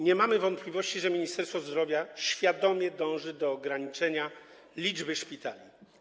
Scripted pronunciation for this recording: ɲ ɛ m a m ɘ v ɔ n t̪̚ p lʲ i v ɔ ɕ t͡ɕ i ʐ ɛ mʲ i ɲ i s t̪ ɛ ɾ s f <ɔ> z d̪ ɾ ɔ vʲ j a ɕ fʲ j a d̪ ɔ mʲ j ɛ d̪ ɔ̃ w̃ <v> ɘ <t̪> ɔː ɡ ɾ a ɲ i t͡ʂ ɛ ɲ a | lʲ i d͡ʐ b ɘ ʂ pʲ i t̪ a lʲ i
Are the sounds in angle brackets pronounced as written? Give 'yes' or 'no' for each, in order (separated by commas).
yes, no, no